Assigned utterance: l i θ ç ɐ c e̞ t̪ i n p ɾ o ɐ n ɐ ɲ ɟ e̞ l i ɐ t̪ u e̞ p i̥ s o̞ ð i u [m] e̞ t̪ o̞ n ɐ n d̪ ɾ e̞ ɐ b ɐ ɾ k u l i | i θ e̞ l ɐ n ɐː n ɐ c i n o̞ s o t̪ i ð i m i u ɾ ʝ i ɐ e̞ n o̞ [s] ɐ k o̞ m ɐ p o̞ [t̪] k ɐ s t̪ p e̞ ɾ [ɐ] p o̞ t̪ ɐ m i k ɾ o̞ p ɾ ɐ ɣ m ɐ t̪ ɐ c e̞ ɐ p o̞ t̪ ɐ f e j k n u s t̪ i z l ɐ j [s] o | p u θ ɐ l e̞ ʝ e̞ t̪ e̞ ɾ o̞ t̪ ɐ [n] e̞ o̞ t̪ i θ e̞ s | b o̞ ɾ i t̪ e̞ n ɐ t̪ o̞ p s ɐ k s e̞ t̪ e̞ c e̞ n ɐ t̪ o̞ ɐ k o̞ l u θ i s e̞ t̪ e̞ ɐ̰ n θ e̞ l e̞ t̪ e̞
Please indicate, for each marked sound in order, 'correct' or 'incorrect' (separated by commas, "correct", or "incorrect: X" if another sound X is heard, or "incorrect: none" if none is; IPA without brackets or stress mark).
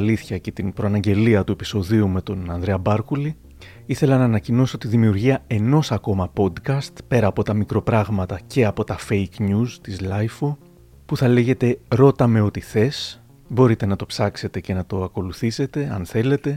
correct, correct, incorrect: d̪, incorrect: ɐː, incorrect: f, incorrect: m